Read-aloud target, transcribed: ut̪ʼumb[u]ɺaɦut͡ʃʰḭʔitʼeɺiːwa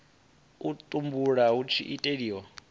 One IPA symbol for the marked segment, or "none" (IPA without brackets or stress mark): u